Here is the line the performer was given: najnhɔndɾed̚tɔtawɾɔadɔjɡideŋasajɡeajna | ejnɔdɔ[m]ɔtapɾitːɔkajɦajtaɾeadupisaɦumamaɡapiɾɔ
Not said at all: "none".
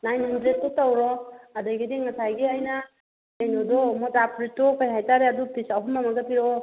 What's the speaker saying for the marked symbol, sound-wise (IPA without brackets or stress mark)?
m